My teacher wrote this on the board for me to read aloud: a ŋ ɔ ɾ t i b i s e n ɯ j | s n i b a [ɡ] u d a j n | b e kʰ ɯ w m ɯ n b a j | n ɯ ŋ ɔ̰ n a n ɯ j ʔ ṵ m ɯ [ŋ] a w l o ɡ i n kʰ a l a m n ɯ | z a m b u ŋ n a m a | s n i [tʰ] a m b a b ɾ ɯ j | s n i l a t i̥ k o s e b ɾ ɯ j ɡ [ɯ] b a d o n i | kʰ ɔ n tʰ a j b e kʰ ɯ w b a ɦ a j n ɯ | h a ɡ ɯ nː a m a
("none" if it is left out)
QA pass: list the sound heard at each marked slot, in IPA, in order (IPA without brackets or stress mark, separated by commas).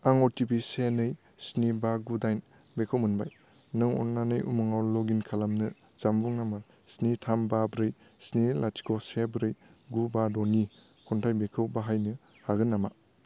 ɡ, ŋ, tʰ, u